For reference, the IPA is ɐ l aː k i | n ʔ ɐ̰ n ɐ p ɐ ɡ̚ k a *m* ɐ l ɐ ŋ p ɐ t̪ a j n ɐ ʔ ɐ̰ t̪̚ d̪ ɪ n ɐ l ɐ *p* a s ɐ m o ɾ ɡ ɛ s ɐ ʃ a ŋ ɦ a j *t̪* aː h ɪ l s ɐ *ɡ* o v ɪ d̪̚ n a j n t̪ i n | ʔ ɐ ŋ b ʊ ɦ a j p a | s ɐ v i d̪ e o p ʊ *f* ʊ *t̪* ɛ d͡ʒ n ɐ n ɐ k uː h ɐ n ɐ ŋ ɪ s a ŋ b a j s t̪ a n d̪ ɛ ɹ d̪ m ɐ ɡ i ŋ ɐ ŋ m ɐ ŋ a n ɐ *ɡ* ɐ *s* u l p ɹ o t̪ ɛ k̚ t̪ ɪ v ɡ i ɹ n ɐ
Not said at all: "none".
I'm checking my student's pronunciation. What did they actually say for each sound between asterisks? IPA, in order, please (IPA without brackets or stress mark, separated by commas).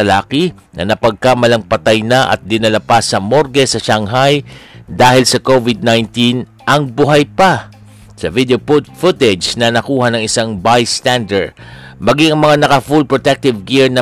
m, p, d̪, k, f, t̪, k, f